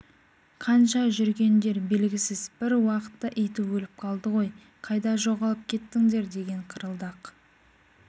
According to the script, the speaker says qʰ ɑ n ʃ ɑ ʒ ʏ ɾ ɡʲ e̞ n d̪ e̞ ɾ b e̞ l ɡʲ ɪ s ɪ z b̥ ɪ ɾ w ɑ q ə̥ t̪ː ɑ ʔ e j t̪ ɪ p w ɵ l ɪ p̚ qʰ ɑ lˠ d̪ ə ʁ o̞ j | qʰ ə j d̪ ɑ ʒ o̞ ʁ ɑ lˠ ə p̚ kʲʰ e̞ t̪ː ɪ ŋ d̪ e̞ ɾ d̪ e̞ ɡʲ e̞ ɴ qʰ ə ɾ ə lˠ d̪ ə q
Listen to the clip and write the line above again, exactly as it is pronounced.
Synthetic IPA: qʰ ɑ n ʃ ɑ ʒ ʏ ɾ ɡʲ e̞ n d̪ e̞ ɾ b e̞ l ɡʲ ɪ s ɪ z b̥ ɪ ɾ w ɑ q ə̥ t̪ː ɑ ʔ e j t̪ ɪ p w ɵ l ɪ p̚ qʰ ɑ lˠ d̪ ə ʁ o̞ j | qʰ ɑ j d̪ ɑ ʒ o̞ ʁ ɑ lˠ ə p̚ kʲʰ e̞ t̪ː ɪ ŋ d̪ e̞ ɾ d̪ e̞ ɡʲ e̞ ɴ qʰ ə ɾ ə lˠ d̪ ɑ q